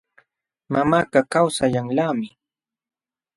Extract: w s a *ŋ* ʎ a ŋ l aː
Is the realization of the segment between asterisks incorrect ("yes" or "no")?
yes